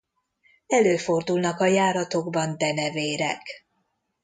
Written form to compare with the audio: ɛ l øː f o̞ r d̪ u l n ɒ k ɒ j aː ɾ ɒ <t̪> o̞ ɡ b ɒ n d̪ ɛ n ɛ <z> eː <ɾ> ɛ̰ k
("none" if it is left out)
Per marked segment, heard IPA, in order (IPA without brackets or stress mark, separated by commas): t̪, v, ɾ